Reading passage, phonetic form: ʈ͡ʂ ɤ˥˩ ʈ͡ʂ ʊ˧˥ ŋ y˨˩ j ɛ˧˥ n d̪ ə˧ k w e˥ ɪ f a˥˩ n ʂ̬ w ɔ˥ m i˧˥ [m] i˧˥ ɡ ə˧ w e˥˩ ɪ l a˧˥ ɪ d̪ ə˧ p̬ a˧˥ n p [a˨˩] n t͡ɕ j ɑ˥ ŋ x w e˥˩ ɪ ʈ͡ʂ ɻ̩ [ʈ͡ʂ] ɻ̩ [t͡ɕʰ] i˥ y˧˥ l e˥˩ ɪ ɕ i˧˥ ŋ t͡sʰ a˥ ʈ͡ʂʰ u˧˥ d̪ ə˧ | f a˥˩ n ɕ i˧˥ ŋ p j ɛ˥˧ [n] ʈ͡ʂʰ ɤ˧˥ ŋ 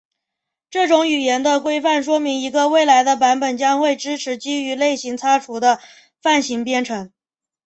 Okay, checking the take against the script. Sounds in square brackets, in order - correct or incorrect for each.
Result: incorrect, incorrect, incorrect, incorrect, correct

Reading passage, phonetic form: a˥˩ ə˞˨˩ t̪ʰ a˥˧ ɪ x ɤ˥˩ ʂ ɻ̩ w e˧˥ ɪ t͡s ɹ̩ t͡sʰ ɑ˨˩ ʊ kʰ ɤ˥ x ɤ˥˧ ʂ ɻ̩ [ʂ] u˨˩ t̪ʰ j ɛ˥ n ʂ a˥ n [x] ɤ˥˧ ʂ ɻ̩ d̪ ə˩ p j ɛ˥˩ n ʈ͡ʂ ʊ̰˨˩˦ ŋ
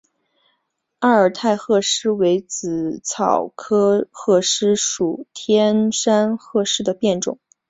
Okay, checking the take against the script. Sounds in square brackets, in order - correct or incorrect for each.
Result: correct, correct

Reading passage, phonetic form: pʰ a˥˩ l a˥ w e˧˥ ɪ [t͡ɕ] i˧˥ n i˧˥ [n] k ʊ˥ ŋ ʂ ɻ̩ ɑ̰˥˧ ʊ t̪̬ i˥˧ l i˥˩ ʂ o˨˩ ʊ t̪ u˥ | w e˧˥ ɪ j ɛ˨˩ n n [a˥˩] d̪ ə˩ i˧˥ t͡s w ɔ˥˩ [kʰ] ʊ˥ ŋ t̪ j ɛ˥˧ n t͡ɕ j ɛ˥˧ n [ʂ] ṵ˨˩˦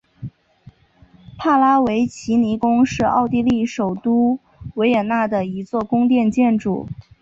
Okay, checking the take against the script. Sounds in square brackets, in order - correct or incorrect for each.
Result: incorrect, incorrect, correct, incorrect, incorrect

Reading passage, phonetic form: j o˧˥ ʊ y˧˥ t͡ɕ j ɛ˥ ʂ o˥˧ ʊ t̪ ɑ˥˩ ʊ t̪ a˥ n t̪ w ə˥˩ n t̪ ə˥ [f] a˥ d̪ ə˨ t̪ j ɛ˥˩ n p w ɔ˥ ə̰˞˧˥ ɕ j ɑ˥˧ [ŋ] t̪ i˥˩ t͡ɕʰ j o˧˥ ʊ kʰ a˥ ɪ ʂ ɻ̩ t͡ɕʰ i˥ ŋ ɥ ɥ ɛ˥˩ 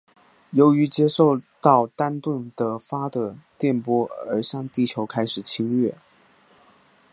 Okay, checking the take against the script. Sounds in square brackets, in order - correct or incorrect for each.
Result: correct, correct

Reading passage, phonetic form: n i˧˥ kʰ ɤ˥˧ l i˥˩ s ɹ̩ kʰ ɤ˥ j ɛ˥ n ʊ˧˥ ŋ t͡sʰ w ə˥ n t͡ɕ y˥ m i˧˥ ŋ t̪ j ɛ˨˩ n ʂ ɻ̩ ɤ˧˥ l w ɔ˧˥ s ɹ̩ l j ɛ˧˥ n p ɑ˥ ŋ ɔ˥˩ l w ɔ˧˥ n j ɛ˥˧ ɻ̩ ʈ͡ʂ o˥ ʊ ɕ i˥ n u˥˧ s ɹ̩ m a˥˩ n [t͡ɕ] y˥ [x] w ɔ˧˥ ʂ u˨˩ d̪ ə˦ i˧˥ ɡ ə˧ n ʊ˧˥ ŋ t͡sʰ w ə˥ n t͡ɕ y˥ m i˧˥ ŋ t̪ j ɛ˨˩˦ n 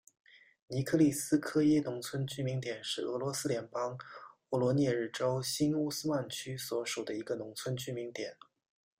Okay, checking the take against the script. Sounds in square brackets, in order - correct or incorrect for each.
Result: incorrect, incorrect

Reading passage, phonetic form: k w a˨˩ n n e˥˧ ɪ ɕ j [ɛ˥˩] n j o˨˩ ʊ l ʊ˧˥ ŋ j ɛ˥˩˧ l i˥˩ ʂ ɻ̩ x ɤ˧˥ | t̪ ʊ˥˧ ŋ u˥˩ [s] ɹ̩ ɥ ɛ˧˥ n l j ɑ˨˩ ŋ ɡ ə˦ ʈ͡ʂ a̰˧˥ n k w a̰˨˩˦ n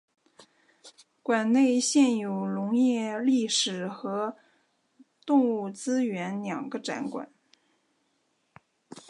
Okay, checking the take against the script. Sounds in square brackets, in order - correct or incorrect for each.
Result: correct, incorrect

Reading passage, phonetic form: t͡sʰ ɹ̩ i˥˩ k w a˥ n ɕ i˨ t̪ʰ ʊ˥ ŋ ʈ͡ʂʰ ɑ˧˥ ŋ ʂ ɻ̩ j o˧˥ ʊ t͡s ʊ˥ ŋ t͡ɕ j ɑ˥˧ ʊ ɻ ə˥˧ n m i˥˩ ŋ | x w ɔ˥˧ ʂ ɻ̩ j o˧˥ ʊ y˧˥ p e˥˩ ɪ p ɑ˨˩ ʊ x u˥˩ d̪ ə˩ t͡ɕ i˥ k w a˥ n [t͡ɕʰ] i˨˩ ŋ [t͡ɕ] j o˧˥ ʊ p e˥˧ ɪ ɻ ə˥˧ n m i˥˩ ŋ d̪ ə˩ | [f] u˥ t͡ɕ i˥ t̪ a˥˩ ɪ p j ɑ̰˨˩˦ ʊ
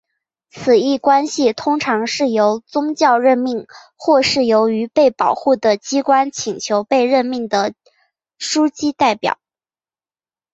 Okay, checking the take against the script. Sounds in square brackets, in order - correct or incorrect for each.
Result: correct, incorrect, incorrect

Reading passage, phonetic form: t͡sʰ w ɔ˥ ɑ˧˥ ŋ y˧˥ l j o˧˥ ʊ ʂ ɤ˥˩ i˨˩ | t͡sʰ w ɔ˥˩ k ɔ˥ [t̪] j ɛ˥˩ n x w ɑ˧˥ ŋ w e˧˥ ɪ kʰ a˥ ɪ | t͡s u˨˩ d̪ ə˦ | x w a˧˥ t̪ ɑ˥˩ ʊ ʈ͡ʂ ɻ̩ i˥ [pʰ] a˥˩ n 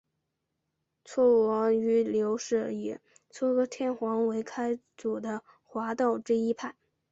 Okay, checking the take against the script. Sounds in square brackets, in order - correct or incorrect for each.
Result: incorrect, correct

